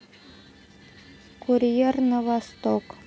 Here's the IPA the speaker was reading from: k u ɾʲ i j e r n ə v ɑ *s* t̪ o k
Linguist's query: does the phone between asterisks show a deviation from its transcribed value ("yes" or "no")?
no